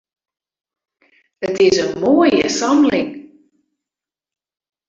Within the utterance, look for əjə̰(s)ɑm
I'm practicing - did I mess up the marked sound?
no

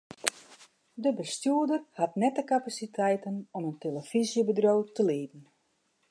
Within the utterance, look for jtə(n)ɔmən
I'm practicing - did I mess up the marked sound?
no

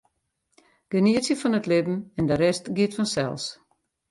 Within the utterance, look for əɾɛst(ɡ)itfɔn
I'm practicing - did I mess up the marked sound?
no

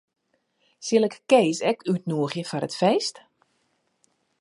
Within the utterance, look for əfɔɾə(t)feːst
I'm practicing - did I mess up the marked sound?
no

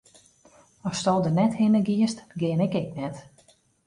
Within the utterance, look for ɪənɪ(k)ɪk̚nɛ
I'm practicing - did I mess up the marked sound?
no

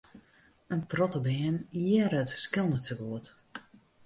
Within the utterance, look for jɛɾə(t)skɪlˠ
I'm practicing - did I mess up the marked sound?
no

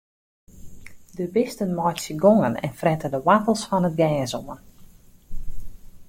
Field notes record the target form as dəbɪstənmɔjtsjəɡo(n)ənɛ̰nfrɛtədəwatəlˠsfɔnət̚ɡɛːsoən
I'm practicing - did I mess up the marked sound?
yes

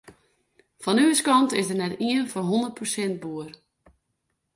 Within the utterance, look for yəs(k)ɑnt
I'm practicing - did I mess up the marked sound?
no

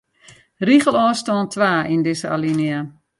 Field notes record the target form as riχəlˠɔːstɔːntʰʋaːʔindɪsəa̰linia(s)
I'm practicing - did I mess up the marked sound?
yes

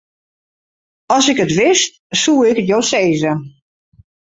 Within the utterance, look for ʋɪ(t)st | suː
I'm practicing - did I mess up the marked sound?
yes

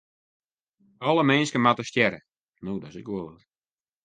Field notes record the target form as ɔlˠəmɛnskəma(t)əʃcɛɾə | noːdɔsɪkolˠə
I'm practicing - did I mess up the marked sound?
no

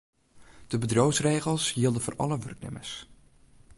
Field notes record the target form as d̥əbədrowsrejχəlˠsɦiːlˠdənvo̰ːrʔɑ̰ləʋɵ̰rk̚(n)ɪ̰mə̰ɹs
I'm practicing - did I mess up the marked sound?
no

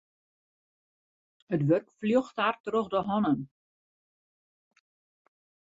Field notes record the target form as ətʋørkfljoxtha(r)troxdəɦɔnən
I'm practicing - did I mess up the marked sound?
no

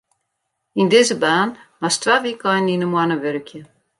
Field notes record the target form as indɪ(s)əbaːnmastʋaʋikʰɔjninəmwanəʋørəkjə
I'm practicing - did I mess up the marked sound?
yes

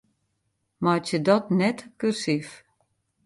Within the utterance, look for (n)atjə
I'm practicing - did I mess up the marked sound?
yes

